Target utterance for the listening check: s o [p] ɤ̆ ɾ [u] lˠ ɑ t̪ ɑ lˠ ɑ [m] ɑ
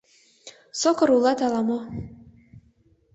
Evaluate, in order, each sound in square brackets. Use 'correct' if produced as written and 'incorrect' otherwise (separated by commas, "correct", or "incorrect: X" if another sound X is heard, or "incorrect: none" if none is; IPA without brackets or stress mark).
incorrect: k, correct, correct